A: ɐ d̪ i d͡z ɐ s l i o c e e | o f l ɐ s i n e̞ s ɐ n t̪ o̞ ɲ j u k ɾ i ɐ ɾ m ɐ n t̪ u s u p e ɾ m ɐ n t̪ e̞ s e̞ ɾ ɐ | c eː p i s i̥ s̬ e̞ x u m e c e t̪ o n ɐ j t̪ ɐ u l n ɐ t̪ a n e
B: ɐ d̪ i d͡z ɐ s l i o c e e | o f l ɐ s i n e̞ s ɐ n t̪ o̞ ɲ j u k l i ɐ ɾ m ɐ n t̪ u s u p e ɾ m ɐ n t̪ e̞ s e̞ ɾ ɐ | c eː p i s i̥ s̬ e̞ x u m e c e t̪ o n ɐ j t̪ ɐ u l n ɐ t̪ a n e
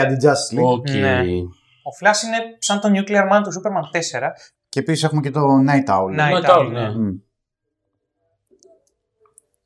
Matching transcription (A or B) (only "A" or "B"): B